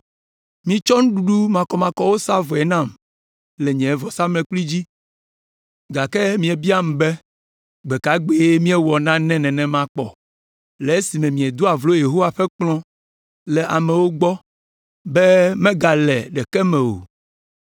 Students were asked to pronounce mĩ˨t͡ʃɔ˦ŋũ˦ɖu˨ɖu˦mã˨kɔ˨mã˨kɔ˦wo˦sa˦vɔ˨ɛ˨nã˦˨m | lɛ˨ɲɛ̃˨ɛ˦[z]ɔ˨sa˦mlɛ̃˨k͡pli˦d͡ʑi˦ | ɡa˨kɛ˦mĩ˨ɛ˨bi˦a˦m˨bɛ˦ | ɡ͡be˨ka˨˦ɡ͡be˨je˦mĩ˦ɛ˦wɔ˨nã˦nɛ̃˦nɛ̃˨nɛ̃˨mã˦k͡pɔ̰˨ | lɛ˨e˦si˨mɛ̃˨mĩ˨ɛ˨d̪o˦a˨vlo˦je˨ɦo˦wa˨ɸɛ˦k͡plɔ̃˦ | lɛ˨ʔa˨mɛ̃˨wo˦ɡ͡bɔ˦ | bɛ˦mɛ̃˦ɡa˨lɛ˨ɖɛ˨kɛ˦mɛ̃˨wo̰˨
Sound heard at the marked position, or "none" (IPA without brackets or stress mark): v